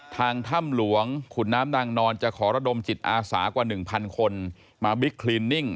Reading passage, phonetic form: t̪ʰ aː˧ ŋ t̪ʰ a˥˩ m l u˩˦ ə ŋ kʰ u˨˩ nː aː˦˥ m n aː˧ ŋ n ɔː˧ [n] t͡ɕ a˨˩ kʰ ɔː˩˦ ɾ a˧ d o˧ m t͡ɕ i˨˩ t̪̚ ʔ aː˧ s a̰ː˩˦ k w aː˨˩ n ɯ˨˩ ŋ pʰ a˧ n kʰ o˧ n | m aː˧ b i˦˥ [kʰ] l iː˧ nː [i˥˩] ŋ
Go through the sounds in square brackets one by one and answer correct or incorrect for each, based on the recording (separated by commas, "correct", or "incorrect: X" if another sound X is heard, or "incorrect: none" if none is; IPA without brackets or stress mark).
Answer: correct, correct, correct